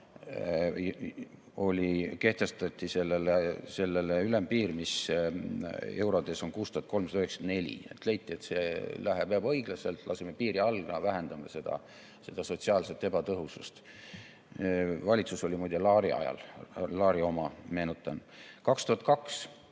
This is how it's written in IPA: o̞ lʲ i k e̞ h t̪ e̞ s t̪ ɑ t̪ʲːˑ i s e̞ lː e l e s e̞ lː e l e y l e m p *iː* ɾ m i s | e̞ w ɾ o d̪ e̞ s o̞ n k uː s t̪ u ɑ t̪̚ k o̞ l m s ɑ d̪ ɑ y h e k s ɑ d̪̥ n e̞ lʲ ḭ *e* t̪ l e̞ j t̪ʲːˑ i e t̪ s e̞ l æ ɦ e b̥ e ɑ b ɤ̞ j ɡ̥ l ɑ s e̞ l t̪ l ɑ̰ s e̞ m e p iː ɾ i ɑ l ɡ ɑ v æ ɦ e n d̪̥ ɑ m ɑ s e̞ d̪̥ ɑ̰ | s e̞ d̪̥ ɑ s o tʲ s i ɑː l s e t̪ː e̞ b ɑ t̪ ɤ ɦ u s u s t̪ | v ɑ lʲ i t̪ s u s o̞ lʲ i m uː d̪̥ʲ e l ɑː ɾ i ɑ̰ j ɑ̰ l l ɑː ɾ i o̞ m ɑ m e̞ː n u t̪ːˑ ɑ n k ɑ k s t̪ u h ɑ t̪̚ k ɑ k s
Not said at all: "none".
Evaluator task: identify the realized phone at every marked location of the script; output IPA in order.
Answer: iː, e

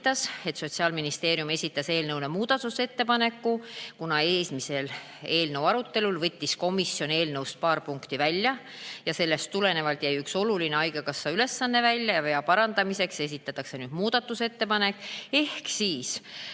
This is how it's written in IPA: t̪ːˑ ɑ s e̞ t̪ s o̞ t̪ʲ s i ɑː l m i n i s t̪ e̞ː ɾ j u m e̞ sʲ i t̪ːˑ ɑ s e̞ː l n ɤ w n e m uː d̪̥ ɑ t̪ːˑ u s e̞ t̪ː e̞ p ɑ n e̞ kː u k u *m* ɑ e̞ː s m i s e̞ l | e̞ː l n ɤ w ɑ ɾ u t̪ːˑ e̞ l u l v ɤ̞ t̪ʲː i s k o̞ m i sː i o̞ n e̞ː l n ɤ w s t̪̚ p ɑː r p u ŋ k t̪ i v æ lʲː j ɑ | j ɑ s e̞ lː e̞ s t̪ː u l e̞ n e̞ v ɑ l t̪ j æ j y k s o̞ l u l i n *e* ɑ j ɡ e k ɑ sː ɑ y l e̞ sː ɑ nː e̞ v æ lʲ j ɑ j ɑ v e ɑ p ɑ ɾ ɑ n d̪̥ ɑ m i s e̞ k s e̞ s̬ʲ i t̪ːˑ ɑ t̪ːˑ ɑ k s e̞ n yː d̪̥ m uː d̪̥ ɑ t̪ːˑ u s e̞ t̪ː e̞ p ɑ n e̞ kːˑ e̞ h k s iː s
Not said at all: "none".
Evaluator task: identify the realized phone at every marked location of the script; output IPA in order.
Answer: n, e

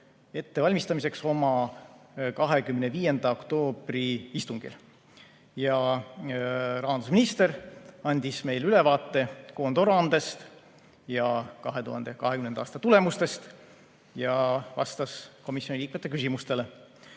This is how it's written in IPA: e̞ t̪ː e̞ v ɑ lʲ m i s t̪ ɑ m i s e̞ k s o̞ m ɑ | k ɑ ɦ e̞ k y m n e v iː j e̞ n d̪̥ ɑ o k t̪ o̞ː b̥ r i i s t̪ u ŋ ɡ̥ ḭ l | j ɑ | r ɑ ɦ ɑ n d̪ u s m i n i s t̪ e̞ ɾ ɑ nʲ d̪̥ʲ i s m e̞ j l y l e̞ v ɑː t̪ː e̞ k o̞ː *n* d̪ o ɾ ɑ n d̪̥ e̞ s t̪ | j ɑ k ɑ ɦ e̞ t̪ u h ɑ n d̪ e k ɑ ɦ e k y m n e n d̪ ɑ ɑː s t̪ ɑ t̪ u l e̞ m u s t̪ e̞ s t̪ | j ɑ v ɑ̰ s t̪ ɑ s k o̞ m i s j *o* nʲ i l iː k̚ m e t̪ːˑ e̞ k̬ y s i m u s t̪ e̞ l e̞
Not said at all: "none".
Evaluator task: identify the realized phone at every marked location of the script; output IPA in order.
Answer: n, o

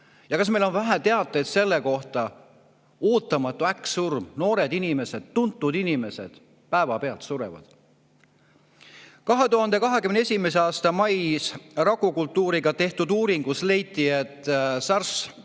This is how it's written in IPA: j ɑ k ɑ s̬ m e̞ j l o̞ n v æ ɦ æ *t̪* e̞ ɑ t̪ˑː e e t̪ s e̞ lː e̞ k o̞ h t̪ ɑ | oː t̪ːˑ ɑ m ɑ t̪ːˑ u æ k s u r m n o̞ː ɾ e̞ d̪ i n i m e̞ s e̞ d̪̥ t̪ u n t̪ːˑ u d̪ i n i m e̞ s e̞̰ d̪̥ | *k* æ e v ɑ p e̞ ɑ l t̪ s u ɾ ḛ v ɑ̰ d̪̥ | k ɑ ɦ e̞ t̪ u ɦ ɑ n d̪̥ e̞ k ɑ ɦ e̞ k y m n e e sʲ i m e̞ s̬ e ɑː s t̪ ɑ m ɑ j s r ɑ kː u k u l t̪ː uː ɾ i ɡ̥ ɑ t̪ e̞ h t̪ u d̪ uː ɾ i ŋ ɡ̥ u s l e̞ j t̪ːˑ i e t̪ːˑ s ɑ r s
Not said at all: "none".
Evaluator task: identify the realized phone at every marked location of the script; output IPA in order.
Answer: t̪, p

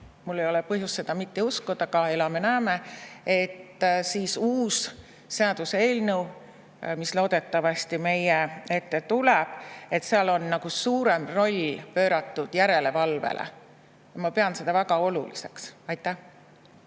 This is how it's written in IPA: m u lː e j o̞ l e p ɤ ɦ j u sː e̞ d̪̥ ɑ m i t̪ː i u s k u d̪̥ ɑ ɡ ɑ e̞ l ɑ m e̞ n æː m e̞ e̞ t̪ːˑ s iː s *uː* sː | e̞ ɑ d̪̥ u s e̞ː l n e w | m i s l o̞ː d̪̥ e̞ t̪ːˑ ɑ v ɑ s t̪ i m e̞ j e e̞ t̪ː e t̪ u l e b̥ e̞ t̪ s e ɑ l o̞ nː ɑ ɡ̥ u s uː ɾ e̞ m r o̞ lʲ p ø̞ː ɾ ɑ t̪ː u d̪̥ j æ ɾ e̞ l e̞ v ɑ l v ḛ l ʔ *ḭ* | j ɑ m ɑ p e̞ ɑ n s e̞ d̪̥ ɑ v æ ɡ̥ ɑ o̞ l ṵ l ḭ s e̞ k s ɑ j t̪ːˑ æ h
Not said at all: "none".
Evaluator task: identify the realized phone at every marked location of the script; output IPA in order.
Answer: uː, ḛ

